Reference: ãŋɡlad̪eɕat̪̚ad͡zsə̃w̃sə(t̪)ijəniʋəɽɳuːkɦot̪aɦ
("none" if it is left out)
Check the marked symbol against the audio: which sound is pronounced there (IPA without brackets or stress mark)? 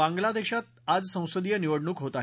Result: d̪